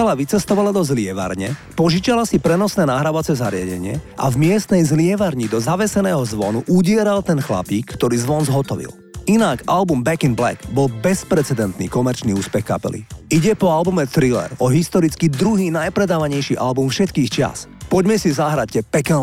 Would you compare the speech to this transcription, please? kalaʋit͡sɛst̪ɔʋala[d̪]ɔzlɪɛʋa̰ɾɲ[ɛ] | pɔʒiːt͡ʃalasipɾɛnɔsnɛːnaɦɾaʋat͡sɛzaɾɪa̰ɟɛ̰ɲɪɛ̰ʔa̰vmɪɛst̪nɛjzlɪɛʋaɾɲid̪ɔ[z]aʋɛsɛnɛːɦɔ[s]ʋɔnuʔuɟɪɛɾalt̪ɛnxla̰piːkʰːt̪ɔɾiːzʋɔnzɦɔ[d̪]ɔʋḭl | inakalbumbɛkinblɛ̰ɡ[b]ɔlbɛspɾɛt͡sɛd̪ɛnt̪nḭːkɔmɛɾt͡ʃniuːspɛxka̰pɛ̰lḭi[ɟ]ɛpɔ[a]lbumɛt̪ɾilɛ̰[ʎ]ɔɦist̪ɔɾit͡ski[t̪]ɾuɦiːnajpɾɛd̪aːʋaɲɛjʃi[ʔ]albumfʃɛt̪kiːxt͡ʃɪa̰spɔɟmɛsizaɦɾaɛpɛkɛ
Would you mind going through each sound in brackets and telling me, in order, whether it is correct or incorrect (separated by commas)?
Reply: correct, correct, correct, incorrect, incorrect, correct, correct, correct, incorrect, incorrect, correct